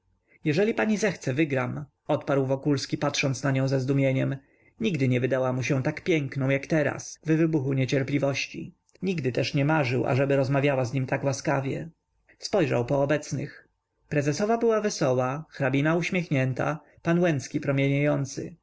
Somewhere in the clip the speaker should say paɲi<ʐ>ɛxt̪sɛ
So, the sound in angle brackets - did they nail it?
no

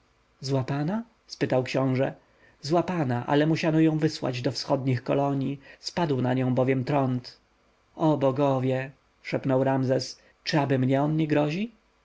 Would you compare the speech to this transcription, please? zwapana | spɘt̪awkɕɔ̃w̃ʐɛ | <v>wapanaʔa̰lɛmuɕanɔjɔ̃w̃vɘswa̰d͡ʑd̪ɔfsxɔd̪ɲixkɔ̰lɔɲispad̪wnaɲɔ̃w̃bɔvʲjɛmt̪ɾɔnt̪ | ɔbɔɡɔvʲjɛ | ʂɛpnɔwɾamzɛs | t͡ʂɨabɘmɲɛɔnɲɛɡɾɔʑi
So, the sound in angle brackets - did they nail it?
no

